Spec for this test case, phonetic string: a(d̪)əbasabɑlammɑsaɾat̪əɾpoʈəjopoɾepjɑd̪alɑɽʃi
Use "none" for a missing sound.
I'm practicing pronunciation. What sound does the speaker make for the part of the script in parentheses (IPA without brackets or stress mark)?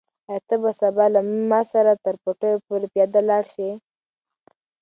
t̪